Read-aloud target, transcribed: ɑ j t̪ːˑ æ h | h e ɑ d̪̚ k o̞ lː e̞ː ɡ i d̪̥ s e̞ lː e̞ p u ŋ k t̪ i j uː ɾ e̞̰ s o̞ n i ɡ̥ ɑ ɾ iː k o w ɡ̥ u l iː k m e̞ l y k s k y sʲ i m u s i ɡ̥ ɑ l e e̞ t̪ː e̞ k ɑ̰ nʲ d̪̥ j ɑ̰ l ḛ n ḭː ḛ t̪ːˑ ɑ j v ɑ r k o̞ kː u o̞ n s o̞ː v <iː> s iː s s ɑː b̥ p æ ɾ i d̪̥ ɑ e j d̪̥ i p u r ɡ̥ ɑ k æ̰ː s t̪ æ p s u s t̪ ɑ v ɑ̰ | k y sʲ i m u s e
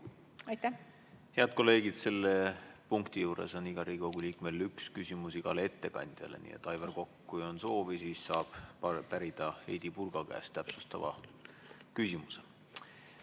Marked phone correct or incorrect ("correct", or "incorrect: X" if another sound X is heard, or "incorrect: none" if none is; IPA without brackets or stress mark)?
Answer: incorrect: i